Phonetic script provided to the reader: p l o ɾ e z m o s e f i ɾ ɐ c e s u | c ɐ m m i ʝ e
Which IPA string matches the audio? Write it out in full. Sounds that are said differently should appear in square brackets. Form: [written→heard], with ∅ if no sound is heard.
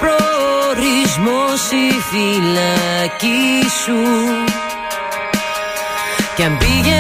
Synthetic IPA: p [l→ɾ] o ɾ [e→i] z m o s [e→i] f i [ɾ→l] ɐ c [e→i] s u | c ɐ m [m→b] i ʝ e